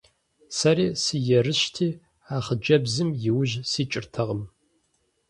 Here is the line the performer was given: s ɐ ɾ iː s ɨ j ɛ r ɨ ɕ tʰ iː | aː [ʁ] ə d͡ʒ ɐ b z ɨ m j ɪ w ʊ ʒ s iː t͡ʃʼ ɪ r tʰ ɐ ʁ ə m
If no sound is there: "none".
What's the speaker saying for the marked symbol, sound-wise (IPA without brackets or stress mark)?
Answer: χ